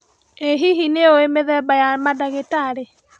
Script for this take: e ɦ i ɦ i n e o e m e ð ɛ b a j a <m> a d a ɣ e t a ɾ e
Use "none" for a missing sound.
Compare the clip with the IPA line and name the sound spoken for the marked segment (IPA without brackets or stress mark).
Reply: m